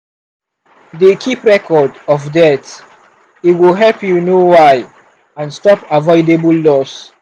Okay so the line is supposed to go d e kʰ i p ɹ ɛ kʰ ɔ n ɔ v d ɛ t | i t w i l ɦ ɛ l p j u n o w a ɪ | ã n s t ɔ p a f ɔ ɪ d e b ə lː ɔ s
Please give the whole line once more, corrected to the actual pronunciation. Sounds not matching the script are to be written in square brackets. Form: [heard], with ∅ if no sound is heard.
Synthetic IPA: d e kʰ i p ɹ ɛ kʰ ɔ [d] ɔ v d ɛ t | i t w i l ɦ ɛ l p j u n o w a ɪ | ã n s t ɔ p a [v] ɔ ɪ d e b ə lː ɔ s